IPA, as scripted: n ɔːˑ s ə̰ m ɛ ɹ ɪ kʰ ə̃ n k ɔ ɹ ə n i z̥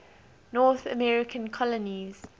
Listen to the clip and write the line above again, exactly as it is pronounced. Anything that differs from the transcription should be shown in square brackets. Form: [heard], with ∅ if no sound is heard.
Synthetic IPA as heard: n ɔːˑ [θ] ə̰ m ɛ ɹ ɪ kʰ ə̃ n [kʰ] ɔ [l] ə n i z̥